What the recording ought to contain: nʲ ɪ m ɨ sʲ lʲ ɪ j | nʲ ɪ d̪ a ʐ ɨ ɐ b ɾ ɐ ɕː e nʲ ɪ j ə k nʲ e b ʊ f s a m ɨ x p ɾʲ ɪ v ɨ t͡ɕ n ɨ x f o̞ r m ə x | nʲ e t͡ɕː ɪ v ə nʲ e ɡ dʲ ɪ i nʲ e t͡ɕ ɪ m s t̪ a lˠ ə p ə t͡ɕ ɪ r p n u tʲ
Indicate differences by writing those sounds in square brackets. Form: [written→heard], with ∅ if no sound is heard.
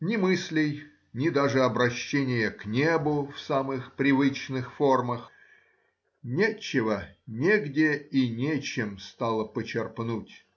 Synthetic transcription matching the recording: nʲ ɪ m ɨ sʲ lʲ ɪ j | nʲ ɪ d̪ a ʐ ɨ ɐ b ɾ ɐ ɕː e nʲ ɪ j ə k nʲ e b ʊ f s a m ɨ x p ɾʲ ɪ v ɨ t͡ɕ n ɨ x f o̞ r m ə x | nʲ e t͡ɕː ɪ v ə nʲ e ɡ dʲ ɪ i nʲ e t͡ɕ ɪ m s t̪ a lˠ ə p ə t͡ɕ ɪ r p n u tʲ